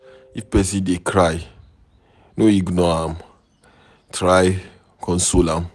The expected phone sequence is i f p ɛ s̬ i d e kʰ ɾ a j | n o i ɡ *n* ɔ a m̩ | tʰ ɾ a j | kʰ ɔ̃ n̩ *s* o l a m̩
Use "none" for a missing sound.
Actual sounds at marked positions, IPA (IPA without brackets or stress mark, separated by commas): n, s